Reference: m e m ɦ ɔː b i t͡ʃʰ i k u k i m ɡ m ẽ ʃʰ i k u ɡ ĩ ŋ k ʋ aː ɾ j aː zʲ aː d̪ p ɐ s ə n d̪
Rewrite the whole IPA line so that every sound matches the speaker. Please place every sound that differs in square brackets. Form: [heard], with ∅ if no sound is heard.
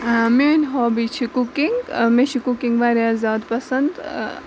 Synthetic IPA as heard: m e [n] ɦ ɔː b i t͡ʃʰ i k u k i [ŋ] ɡ m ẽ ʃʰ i k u [k] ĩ ŋ [ɡ] ʋ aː ɾ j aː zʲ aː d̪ p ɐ s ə n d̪